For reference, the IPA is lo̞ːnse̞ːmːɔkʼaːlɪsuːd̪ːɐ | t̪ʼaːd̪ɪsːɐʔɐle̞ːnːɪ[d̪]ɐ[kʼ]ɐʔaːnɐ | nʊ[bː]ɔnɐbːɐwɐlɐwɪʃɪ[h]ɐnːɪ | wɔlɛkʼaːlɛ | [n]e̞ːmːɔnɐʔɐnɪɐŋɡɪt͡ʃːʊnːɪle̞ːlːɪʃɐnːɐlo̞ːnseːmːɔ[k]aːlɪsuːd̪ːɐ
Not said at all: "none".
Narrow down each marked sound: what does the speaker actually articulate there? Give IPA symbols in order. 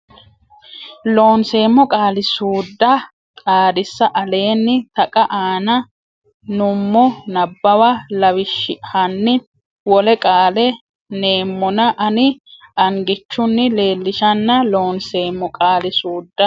t̪, kʼ, mː, h, n, kʼ

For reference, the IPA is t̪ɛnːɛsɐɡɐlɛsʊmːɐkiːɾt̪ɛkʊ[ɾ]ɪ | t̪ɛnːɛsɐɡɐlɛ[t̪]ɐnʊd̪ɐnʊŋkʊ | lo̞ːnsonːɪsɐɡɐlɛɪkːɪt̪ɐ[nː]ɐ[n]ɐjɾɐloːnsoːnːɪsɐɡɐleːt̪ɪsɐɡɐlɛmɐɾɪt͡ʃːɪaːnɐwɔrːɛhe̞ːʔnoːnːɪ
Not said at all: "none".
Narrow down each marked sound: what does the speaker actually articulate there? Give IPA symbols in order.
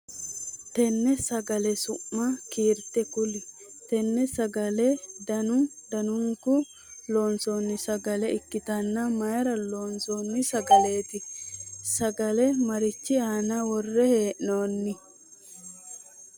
l, d̪, nː, m

